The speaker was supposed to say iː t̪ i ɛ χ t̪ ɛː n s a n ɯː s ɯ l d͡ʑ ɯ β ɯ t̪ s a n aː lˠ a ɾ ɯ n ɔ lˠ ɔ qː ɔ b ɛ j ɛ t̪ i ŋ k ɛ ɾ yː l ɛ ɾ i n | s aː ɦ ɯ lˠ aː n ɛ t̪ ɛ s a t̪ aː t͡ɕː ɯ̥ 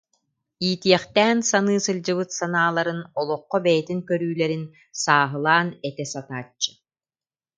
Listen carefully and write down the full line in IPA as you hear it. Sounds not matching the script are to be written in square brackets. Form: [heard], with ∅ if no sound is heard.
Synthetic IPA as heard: iː t̪ i ɛ χ t̪ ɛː n s a n ɯː s ɯ l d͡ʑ ɯ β ɯ t̪ s a n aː lˠ a ɾ ɯ n ɔ lˠ ɔ qː ɔ b ɛ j ɛ t̪ i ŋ k [œ] ɾ yː l ɛ ɾ i n | s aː ɦ ɯ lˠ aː n ɛ t̪ ɛ s a t̪ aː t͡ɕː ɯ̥